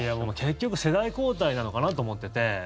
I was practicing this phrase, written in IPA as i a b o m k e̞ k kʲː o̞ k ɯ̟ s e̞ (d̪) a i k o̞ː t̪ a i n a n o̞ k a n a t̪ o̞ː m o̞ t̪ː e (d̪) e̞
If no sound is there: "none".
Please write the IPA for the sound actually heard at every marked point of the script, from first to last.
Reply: d̪, t̪

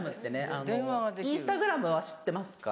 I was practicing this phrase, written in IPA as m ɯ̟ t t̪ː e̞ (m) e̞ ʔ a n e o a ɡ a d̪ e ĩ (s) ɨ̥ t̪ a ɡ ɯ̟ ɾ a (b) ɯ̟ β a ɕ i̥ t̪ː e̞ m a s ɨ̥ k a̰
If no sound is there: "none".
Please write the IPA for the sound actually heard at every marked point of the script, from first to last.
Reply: n, s, m

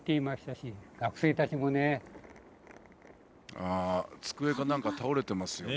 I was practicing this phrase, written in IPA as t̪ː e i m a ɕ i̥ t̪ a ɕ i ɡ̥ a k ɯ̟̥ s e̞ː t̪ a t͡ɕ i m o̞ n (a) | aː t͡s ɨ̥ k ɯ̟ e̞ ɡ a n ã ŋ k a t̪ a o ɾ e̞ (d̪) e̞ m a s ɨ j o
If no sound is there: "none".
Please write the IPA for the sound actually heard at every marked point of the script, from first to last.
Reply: e, t̪

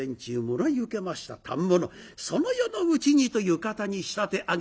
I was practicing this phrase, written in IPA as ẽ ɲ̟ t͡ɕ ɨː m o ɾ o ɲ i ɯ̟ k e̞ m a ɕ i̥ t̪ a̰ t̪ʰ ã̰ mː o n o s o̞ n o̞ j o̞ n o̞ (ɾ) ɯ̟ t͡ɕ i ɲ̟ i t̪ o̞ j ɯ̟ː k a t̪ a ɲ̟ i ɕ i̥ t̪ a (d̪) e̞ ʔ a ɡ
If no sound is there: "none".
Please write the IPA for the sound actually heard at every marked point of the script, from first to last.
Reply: none, t̪

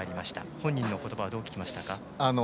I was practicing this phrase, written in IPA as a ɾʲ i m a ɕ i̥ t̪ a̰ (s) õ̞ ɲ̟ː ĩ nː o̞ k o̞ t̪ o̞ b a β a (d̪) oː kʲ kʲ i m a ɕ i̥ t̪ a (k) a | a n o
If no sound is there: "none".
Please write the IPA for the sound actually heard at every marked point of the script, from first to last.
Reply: h, d̪, k

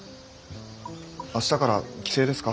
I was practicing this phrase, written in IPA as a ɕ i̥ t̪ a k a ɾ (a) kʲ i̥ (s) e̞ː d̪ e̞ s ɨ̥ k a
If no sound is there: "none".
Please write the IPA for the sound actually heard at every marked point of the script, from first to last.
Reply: a, s

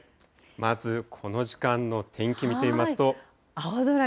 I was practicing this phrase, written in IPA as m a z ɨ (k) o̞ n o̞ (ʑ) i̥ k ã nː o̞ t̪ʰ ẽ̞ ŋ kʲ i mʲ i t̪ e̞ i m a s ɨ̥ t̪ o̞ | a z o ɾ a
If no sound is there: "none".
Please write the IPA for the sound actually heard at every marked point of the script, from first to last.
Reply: kʰ, ʑ

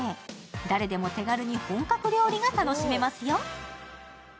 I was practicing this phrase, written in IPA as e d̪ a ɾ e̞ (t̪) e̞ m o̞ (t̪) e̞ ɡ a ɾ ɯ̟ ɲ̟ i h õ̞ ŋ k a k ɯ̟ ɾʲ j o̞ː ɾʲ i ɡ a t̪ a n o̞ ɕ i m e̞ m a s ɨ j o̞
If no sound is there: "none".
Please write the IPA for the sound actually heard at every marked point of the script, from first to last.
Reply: d̪, t̪

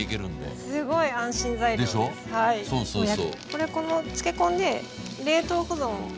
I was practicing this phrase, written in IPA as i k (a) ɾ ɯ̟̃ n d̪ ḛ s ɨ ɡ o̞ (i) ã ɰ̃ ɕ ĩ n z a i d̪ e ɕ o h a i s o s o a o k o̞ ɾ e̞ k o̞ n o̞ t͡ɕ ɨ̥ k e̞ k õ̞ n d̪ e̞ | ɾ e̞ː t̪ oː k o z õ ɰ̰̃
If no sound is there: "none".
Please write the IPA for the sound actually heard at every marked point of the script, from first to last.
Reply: e, i

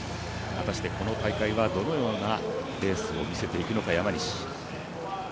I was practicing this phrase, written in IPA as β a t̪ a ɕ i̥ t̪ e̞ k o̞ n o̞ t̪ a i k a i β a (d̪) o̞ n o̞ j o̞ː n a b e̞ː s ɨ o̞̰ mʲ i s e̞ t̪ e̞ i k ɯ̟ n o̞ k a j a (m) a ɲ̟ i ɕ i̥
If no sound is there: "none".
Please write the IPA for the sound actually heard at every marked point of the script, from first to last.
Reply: d̪, m

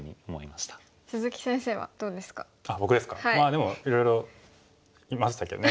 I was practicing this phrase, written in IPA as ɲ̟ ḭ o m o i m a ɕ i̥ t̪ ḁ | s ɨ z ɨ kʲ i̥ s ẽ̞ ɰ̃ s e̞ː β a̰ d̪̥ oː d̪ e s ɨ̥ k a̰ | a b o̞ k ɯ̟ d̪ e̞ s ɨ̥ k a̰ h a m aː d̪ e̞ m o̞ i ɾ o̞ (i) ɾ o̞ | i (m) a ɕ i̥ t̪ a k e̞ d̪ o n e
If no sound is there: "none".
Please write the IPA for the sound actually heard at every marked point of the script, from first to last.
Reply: j, m

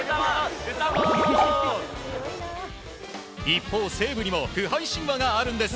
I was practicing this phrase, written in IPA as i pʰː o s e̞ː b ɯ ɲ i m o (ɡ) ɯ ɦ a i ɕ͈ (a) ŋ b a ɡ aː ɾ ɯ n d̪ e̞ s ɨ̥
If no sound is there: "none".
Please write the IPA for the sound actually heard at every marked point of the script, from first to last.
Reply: k, i

